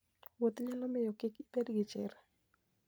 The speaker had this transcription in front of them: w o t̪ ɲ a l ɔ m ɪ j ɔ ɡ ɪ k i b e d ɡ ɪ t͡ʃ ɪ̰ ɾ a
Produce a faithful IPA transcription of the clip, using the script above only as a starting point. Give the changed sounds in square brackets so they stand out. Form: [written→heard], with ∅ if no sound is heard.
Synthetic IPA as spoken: w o t̪ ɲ a l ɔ m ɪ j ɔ [ɡ→k] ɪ k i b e d ɡ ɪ t͡ʃ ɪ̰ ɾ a